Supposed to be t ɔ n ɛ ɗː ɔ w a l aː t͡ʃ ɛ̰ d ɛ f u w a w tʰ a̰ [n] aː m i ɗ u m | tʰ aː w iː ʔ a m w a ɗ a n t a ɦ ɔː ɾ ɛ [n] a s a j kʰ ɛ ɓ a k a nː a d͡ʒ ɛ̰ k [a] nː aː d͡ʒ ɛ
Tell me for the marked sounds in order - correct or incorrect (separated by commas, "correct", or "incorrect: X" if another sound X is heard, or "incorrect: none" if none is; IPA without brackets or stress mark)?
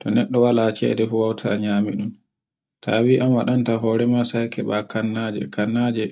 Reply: incorrect: ɲ, incorrect: m, correct